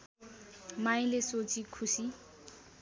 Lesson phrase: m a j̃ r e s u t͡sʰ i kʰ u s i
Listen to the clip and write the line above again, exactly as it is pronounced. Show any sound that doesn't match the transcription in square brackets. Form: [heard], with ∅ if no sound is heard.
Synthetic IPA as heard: m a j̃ [l] e s [o] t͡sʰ i kʰ u s i